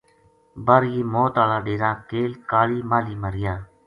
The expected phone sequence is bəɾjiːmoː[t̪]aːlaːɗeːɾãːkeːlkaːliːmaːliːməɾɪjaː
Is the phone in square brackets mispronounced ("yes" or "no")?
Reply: no